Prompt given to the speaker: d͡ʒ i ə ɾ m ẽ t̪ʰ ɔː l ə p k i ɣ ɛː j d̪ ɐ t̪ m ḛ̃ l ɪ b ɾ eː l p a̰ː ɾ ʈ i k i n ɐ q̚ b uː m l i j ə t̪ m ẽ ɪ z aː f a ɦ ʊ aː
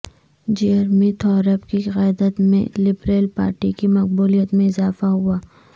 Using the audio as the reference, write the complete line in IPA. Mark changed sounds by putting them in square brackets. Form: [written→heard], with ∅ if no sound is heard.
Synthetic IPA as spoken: d͡ʒ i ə ɾ m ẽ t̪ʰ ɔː [l→ɾ] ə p k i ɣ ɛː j d̪ [ɐ→ə] t̪ m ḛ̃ l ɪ b ɾ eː l p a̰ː ɾ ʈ i k i [n→m] ɐ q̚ b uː [m→∅] l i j ə t̪ m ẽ ɪ z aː f a ɦ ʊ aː